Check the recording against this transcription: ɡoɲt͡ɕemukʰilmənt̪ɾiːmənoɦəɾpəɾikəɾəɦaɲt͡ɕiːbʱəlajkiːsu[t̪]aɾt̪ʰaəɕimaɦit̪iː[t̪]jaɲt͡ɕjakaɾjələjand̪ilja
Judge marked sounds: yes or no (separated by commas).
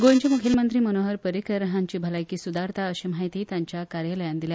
no, yes